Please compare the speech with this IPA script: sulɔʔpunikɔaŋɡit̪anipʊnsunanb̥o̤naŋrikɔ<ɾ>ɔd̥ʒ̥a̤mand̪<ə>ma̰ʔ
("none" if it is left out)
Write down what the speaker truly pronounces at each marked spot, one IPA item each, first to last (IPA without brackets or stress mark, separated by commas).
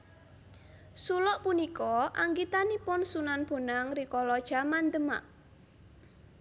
l, ə